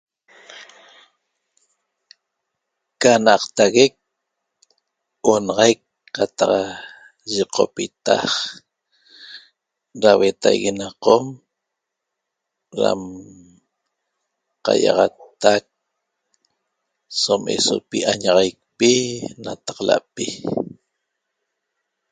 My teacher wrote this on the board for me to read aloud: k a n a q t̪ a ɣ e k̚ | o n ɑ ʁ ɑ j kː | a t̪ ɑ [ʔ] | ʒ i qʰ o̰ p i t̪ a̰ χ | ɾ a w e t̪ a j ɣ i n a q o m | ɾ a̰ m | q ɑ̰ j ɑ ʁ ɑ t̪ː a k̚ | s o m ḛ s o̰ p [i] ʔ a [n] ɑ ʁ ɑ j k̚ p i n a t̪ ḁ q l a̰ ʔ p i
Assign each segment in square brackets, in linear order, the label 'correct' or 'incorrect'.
incorrect: q, correct, incorrect: ɲ

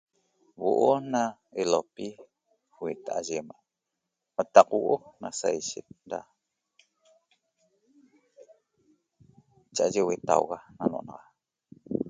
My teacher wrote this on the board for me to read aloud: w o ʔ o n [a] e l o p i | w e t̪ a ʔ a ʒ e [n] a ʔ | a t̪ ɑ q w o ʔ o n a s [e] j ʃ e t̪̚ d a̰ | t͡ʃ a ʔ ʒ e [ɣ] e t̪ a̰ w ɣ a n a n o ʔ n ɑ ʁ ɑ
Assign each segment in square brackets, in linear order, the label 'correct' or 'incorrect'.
correct, incorrect: m, incorrect: a, incorrect: w

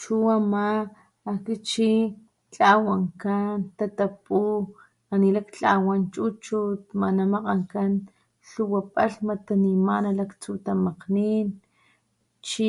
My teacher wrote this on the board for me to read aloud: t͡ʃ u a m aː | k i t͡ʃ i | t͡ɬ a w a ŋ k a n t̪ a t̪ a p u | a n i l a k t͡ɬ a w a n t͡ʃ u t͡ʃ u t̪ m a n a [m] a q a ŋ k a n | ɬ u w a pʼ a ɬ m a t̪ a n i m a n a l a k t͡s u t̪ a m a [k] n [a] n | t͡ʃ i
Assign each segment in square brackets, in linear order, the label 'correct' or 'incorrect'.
correct, incorrect: q, incorrect: i

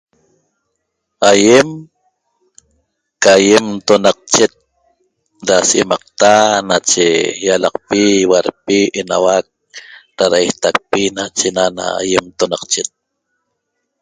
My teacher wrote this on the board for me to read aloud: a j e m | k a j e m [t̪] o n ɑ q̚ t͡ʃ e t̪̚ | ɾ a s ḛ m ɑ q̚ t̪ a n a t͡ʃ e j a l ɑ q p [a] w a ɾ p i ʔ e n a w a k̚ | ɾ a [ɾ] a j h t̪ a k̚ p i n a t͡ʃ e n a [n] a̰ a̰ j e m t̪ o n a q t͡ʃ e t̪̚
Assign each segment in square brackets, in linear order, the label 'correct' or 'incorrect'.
correct, incorrect: i, correct, correct

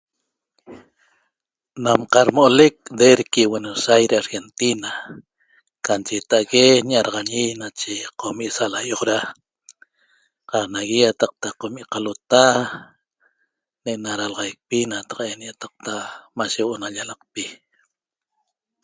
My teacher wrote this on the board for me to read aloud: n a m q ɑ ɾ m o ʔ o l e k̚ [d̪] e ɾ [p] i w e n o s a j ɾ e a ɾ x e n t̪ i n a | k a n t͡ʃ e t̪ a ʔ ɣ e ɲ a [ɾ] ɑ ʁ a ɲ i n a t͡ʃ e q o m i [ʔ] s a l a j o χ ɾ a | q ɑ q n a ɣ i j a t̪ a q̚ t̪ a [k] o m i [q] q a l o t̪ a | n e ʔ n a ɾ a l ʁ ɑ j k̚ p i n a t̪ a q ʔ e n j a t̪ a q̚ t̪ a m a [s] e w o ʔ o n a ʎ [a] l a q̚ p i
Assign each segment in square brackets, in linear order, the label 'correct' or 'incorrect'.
correct, incorrect: k, correct, correct, incorrect: q, incorrect: ʔ, incorrect: ʃ, correct

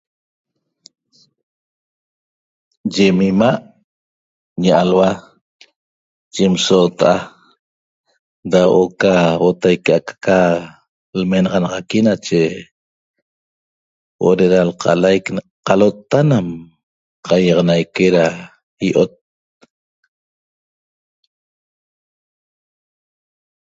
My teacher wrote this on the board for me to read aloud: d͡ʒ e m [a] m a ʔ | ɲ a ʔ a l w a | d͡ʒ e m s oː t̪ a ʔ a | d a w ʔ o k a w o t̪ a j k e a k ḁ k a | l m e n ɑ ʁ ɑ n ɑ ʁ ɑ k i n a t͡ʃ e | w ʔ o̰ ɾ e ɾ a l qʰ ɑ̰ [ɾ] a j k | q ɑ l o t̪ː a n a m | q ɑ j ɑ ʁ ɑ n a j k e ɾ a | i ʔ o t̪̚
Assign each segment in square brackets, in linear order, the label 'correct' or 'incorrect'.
incorrect: i, incorrect: l

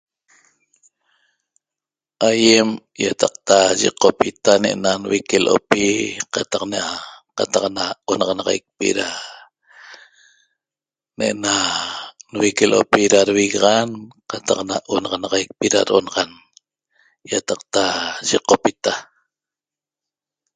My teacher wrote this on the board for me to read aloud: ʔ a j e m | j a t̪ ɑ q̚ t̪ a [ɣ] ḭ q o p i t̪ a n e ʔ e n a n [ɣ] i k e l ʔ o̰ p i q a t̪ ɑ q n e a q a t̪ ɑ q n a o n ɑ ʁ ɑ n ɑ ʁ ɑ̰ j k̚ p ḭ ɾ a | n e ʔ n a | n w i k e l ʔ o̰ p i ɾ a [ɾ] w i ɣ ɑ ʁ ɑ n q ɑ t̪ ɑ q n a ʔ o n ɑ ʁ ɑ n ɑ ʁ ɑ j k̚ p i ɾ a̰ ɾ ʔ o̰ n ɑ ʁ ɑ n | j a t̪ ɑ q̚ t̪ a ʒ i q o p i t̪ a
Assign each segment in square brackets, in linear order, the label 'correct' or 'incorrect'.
incorrect: ʒ, incorrect: w, correct

